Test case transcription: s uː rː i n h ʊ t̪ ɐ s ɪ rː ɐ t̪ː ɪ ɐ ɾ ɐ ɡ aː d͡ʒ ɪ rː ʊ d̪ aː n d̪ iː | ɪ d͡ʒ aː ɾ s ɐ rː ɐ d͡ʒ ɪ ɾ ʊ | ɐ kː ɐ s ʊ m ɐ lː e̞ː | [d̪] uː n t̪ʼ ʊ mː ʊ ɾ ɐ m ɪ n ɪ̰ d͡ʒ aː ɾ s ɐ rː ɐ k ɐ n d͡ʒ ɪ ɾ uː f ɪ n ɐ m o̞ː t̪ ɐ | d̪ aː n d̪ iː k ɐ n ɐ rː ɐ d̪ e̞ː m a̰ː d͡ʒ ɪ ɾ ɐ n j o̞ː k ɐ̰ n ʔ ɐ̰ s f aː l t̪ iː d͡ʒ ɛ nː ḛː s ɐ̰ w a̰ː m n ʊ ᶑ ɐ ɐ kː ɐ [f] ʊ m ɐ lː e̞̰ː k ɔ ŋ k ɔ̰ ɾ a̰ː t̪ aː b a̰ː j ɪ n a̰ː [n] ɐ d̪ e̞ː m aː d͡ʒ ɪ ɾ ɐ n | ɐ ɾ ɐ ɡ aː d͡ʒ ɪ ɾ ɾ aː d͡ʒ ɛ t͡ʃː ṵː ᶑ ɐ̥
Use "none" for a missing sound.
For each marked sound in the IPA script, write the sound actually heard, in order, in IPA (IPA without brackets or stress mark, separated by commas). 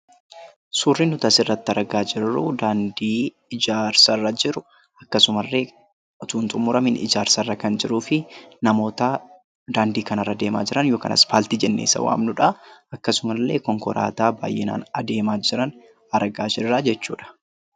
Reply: t̪, s, n